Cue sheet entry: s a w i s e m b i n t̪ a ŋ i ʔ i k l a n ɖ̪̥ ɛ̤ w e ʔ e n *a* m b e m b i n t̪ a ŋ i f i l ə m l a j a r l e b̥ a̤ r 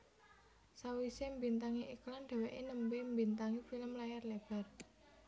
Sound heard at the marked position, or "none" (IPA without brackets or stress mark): ə